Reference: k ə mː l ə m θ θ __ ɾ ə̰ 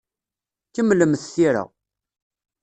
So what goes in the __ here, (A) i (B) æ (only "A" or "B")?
A